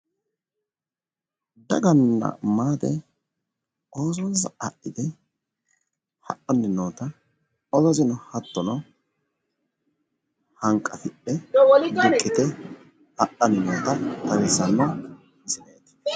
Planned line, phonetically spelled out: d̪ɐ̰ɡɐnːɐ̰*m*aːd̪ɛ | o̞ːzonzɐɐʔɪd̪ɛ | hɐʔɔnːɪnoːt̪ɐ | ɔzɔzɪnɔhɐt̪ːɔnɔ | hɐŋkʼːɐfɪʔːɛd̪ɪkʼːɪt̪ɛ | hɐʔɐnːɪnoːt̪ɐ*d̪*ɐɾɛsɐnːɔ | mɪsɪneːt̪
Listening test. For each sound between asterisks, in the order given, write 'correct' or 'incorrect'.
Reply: correct, incorrect

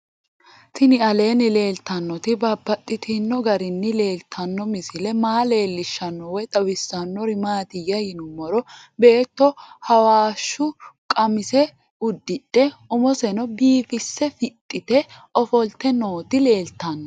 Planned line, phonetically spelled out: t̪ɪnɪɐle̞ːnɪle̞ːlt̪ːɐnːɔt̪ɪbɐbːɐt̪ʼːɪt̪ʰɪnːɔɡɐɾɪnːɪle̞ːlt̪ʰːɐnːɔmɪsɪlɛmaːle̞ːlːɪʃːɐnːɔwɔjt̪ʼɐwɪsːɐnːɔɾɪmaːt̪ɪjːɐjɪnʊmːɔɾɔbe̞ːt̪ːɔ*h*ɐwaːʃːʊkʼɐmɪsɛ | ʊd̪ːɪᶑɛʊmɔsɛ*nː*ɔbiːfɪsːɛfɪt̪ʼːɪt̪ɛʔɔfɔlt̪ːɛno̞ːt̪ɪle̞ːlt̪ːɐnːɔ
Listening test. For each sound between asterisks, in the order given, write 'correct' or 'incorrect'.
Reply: correct, incorrect

